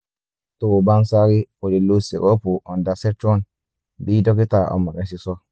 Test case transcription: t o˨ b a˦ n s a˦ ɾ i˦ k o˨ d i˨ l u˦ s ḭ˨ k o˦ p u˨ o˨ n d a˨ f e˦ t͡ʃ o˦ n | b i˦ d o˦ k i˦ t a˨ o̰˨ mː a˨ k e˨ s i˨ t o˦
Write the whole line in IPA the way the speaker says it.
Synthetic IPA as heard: t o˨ b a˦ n s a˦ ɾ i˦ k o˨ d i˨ l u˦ s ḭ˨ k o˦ p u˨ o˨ n d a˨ s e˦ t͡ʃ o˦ n | b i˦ d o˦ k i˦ t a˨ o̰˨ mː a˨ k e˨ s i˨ s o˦